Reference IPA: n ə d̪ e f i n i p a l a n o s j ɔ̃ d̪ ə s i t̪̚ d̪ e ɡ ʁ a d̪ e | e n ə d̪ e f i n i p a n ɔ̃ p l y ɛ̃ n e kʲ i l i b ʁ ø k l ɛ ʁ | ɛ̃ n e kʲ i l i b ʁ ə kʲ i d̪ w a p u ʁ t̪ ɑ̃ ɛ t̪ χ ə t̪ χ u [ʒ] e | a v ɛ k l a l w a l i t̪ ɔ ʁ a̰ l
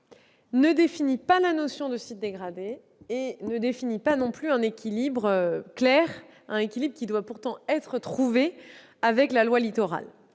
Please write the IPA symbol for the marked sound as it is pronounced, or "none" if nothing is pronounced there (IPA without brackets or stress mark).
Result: v